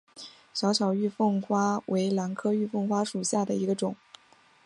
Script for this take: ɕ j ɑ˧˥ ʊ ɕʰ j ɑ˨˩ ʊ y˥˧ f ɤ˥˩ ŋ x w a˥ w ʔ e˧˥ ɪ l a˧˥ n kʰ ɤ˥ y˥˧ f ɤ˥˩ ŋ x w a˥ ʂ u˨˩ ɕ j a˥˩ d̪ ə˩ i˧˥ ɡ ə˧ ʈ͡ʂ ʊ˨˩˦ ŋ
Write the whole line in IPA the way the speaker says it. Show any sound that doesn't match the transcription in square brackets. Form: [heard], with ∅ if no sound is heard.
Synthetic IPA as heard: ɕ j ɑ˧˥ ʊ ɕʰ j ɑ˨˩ ʊ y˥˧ f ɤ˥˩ ŋ x w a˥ w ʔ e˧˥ ɪ l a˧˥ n kʰ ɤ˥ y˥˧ f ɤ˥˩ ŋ x w a˥ ʂ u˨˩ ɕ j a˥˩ d̪ ə˩ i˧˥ ɡ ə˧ ʈ͡ʂ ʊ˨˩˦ ŋ